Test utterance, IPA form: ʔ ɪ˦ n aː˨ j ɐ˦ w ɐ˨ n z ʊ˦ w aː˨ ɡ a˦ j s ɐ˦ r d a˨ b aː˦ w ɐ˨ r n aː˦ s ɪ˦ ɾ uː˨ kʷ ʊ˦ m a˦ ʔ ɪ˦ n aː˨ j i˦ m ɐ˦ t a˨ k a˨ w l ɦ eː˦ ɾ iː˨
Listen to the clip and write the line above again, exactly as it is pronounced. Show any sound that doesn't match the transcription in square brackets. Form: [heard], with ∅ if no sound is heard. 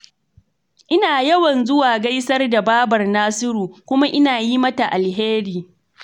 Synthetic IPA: ʔ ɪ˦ n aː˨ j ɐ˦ w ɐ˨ n z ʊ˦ w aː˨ ɡ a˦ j s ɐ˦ r d a˨ b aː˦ [b] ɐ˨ r n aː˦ s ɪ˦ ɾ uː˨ kʷ ʊ˦ m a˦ ʔ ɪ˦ n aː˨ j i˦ m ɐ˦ t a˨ [ʔ] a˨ [∅] l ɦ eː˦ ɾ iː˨